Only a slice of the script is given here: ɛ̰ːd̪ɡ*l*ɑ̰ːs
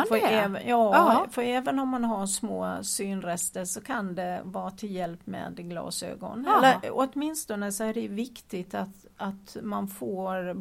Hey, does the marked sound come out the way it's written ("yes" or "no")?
yes